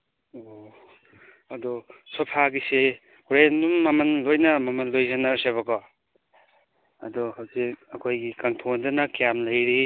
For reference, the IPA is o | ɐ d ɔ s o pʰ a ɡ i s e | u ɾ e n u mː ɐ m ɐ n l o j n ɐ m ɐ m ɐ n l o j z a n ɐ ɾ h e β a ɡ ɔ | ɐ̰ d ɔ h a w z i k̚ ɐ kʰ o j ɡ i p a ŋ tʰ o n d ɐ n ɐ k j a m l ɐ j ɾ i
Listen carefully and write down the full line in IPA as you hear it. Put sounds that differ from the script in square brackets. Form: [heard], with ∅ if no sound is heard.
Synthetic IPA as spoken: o | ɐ d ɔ s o pʰ a ɡ i s e | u ɾ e n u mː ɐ m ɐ n l o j n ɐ m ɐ m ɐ n l o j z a n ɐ ɾ [s] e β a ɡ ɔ | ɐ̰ d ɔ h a w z i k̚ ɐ kʰ o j ɡ i [k] a ŋ tʰ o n d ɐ n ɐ k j a m l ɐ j ɾ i

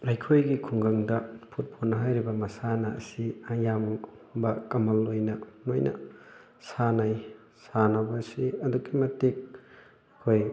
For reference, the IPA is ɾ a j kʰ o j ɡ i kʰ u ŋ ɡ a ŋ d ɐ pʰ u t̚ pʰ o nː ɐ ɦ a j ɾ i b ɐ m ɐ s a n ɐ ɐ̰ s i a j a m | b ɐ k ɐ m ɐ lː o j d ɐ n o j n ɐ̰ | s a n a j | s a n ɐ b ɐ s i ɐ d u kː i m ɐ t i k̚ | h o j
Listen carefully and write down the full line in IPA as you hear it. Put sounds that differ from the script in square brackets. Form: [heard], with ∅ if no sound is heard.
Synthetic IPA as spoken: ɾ a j kʰ o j ɡ i kʰ u ŋ ɡ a ŋ d ɐ pʰ u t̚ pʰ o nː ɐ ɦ a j ɾ i b ɐ m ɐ s a n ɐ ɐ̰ s i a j a m | b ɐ k ɐ m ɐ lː o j [n] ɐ n o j n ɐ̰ | s a n a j | s a n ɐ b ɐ s i ɐ d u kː i m ɐ t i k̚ | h o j

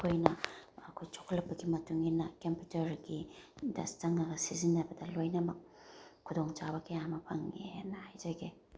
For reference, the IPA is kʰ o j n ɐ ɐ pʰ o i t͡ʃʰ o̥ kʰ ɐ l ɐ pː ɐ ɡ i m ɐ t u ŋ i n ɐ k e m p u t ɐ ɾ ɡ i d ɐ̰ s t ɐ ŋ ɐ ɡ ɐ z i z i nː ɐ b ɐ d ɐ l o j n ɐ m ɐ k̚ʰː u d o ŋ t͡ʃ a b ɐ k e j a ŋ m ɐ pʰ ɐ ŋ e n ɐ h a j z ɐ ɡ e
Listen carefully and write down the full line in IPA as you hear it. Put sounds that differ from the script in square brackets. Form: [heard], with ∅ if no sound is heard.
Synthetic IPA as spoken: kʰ o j n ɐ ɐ [kʰ] o [j] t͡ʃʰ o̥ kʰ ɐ l ɐ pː ɐ ɡ i m ɐ t u ŋ i n ɐ k e m p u t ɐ ɾ ɡ i d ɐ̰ s t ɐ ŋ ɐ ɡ ɐ [s] i z i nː ɐ b ɐ d ɐ l o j n ɐ m ɐ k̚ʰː u d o ŋ t͡ʃ a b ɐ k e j a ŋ m ɐ pʰ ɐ ŋ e n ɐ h a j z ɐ ɡ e

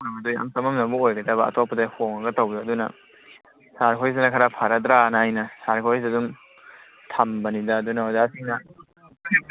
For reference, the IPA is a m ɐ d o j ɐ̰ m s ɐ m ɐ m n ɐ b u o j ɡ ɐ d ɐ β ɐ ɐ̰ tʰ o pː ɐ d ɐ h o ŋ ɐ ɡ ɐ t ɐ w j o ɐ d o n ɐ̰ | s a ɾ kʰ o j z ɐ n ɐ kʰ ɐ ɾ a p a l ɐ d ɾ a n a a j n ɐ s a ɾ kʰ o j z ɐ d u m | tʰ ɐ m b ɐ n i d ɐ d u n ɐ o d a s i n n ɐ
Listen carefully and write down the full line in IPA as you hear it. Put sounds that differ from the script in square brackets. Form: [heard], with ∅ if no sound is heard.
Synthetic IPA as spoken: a m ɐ d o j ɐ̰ m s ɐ m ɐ m n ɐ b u o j ɡ ɐ d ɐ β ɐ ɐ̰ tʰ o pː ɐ d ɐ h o ŋ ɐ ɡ ɐ t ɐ w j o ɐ d [u] n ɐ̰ | s a ɾ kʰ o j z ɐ n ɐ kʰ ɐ ɾ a [pʰ] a [ɾ] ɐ d ɾ a n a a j n ɐ s a ɾ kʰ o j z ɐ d u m | tʰ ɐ m b ɐ n i d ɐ d u n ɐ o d a s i [ŋ] n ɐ

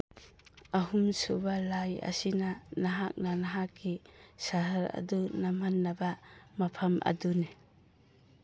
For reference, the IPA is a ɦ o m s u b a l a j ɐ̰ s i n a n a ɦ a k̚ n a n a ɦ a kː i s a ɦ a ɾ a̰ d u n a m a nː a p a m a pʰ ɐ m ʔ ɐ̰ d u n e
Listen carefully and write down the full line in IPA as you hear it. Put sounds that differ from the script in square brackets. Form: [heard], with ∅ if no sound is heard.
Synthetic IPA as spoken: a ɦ [u] m s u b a l a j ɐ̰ s i n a n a ɦ a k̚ n a n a ɦ a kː i s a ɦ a ɾ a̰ d u n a m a nː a [b] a m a pʰ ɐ m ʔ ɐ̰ d u n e

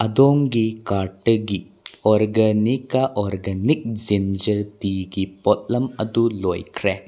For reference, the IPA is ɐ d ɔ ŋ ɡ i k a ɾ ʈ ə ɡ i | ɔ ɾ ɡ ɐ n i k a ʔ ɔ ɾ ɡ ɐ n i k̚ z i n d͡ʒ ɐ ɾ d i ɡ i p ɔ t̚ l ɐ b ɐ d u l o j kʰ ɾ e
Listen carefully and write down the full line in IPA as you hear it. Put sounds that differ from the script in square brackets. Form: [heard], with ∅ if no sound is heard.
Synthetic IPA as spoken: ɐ d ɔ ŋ ɡ i k a ɾ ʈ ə ɡ i | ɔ ɾ ɡ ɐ n i k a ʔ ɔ ɾ ɡ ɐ n i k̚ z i n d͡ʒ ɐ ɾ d i ɡ i p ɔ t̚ l ɐ [m] ɐ d u l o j kʰ ɾ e

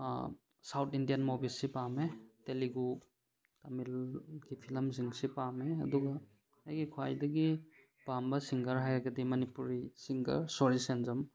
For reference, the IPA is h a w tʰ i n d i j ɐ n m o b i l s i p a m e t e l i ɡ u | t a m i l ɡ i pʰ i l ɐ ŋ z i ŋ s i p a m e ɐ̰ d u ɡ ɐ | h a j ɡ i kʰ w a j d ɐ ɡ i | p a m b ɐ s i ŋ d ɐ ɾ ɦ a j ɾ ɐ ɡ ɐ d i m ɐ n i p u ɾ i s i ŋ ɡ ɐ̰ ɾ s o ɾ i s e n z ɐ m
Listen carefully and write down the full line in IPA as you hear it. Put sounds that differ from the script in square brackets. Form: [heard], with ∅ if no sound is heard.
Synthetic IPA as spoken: [s] a w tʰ i n d i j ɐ n m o b i l s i p a m e t e l i ɡ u | t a m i l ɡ i pʰ i l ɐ [m] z i ŋ s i p a m e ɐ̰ d u ɡ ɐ | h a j ɡ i kʰ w a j d ɐ ɡ i | p a m b ɐ s i ŋ [ɡ] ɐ ɾ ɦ a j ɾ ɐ ɡ ɐ d i m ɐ n i p u ɾ i s i ŋ ɡ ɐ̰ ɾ s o ɾ i s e n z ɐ m

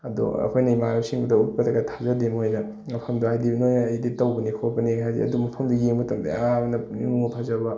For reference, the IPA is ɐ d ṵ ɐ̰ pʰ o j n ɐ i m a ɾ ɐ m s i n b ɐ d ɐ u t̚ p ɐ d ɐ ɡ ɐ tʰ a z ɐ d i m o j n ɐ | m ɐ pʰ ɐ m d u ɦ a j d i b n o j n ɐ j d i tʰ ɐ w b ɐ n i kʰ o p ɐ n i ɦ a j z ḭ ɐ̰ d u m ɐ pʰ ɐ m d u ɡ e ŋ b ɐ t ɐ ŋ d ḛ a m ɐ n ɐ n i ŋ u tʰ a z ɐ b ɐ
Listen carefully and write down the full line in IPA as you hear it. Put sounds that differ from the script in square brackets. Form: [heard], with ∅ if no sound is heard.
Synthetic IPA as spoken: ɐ d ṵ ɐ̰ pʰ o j n ɐ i m a ɾ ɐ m s i [ŋ] b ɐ d ɐ u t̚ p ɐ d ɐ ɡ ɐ tʰ a z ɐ d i m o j n ɐ | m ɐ pʰ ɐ m d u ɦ a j d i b n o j n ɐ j d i [t] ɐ w b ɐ n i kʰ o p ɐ n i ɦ a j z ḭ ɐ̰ d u m ɐ pʰ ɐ m d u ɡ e ŋ b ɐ t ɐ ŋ d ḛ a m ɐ n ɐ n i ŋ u [pʰ] a z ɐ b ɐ

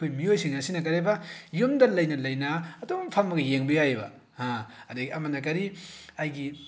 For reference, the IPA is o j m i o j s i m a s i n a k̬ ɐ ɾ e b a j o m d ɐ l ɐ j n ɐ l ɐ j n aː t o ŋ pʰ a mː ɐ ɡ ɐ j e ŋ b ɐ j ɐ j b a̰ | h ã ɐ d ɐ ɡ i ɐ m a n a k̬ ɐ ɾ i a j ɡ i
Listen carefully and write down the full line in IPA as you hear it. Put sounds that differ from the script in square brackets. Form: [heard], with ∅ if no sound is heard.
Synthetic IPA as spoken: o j m i o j s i [ŋ] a s i n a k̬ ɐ ɾ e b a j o m d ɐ l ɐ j n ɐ l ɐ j n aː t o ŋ pʰ a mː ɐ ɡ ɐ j e ŋ b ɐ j [a] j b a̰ | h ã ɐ d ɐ ɡ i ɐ m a n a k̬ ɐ ɾ i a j ɡ i

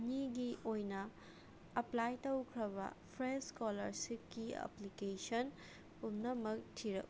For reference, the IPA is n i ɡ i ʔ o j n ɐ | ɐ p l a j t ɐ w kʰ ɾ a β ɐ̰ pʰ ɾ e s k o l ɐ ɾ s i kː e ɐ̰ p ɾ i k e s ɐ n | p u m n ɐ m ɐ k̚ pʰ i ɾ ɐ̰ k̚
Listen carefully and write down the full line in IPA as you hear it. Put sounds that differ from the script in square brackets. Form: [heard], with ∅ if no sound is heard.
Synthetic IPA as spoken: n i ɡ i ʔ o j n ɐ | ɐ p l a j t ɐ w kʰ ɾ [ɐ] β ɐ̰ pʰ ɾ e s k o l ɐ ɾ s i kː [i] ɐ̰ p [l] i k e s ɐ n | p u m n ɐ m ɐ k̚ [tʰ] i ɾ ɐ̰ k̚

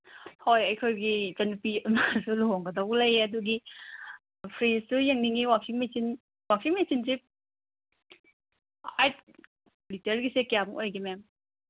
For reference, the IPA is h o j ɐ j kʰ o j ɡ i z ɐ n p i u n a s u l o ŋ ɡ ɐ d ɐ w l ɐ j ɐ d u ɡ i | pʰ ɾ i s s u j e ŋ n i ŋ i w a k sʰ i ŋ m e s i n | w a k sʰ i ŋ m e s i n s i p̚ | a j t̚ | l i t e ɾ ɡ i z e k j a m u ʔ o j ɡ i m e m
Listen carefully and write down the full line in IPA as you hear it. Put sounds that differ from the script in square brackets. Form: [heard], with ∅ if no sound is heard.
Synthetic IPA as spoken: h o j ɐ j kʰ o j ɡ i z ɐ n p i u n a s u l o ŋ ɡ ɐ d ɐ w l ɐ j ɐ d u ɡ i | pʰ ɾ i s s u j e ŋ n i ŋ i w a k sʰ i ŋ m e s i n | w a k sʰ i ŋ m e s i n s i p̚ | a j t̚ | l i t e ɾ ɡ i [s] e k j a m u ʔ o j ɡ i m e m

